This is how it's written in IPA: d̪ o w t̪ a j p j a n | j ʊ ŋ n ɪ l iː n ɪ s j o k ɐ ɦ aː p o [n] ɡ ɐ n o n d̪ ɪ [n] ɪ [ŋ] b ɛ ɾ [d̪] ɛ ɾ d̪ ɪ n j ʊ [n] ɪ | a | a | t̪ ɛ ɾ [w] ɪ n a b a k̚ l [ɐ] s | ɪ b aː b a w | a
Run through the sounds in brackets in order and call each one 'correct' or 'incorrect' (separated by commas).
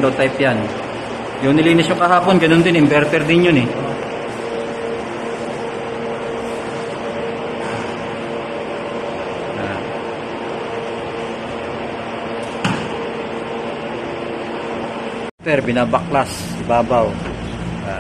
correct, correct, incorrect, incorrect, correct, incorrect, incorrect